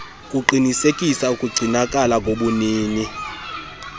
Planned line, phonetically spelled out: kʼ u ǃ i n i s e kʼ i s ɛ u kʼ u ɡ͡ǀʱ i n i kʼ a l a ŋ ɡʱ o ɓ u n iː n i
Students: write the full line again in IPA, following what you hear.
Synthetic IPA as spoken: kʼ u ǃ i n i s e kʼ i s a u kʼ u ɡ͡ǀʱ i n a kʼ a l a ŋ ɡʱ o ɓ u n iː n i

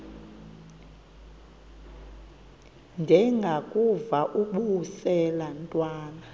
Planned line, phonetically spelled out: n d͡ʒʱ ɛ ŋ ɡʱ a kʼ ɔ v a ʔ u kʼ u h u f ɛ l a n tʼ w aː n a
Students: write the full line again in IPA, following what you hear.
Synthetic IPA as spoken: n d͡ʒʱ ɛ ŋ ɡʱ a kʼ u v a ʔ u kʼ u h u s ɛ l a n tʼ w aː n a

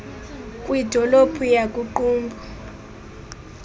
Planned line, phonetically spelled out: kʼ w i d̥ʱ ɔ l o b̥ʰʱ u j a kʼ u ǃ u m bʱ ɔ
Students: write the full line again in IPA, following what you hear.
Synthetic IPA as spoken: kʼ w i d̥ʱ ɔ l o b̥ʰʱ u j a kʼ u ǃ uː m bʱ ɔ

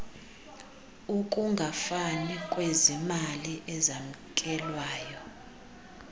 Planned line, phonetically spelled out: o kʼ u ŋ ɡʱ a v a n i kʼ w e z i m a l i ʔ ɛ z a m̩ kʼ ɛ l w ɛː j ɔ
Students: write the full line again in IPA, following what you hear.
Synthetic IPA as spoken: u kʼ u ŋ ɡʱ a f a n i kʼ w e z i m a l i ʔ ɛ z a m̩ kʼ ɛ l w aː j ɔ

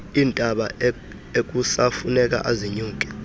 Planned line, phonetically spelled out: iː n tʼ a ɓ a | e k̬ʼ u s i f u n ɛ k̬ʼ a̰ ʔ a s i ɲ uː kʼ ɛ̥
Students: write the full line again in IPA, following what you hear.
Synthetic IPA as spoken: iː n tʼ a ɓ a | e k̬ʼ u s a f u n ɛ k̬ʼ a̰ ʔ a z i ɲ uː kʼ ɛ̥

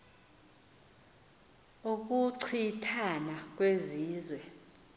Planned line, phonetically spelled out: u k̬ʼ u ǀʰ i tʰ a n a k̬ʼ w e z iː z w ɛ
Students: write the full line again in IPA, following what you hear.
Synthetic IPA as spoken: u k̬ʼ u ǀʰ i tʰ a n a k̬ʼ w e z iː z w ɛ

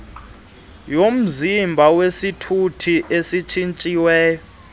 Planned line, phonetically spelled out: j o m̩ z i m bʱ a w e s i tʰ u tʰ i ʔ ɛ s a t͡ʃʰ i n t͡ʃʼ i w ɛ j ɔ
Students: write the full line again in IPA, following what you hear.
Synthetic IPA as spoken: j o m̩ z i m bʱ a w e s i tʰ u tʰ i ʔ e s i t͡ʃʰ i n t͡ʃʼ i w ɛː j ɔ

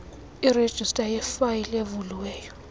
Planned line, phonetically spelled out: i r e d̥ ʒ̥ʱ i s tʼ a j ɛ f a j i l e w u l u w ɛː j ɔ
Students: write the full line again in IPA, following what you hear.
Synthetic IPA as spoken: i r e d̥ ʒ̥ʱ i s tʼ a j ɛ f a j i l e v u l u w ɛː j ɔ

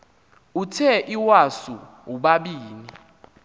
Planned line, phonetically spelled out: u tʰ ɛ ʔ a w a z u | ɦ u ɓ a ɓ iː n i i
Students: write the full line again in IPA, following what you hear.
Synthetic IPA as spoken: u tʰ ɛ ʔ i w a s u | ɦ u ɓ a ɓ iː n i i

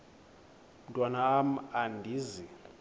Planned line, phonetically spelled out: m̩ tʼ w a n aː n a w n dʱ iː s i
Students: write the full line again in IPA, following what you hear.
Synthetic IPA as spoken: m̩ tʼ w a n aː m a n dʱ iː z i

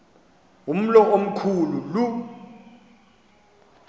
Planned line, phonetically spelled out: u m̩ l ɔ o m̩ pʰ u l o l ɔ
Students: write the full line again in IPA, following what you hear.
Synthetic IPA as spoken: u m̩ l ɔ o m̩ kʰ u l u l u

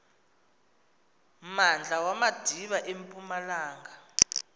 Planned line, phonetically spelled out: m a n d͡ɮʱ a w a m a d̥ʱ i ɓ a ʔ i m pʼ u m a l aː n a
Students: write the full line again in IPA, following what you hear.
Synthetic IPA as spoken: m a n d͡ɮʱ a w a m a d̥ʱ i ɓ a ʔ e m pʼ u m a l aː ŋ a

